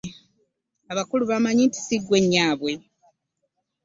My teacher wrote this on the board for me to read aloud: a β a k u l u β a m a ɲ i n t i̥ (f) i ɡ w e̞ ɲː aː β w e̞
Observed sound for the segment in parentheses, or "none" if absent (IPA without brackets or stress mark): s